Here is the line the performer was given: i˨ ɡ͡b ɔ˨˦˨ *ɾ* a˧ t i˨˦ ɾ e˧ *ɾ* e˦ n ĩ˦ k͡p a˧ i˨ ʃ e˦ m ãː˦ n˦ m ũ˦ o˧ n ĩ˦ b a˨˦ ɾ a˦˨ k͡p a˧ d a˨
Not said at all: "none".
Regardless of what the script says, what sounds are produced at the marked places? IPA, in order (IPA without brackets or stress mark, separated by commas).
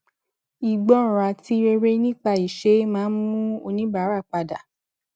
ɾ, ɾ